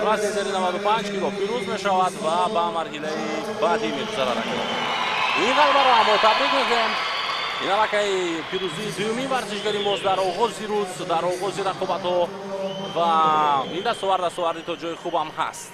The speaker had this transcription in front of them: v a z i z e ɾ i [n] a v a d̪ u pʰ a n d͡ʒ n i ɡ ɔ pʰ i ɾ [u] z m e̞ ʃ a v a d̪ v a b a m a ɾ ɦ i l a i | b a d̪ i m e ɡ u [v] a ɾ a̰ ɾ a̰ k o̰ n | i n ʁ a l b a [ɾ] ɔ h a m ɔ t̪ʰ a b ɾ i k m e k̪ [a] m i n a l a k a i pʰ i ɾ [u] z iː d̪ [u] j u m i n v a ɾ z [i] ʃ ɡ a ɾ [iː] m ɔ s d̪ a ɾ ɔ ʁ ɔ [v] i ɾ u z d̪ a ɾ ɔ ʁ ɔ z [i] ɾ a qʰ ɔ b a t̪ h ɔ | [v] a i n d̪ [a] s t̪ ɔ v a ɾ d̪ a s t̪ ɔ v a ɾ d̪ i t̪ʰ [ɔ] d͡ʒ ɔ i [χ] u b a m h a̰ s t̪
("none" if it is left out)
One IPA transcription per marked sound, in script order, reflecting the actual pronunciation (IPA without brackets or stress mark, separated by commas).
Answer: n, u, z, ɾ, e, u, u, i, i, z, i, v, a, ɔ, χ